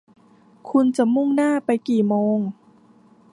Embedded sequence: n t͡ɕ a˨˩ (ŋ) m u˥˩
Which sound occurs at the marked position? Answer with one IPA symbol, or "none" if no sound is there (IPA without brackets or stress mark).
none